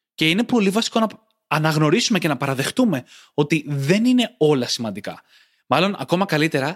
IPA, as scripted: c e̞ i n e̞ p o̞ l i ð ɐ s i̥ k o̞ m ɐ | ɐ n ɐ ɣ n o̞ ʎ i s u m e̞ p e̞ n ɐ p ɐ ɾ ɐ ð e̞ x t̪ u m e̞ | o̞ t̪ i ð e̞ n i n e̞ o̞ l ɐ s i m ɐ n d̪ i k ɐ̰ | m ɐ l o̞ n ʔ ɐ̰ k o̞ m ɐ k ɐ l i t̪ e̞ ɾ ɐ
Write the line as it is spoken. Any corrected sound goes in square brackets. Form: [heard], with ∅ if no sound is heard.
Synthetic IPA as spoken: c e̞ i n e̞ p o̞ l i [v] ɐ s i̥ k o̞ [n] ɐ | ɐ n ɐ ɣ n o̞ [ɾ] i s u m e̞ [c] e̞ n ɐ p ɐ ɾ ɐ ð e̞ x t̪ u m e̞ | o̞ t̪ i ð e̞ n i n e̞ o̞ l ɐ s i m ɐ n d̪ i k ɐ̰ | m ɐ l o̞ n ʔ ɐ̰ k o̞ m ɐ k ɐ l i t̪ e̞ ɾ ɐ